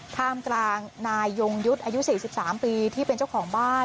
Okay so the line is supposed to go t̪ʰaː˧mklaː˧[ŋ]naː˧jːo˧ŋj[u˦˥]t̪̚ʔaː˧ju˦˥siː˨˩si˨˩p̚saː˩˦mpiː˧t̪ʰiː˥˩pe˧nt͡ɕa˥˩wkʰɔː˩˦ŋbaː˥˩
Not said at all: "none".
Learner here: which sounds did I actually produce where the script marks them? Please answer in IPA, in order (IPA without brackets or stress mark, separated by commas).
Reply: ŋ, u˦˥